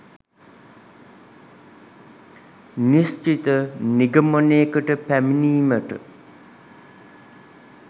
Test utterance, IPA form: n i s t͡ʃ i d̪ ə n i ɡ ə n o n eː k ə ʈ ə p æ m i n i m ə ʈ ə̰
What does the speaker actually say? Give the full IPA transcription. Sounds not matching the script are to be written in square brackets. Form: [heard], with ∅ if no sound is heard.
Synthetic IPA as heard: n i s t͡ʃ i [t̪] ə n i ɡ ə [m] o n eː k ə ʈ ə p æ m i n [iː] m ə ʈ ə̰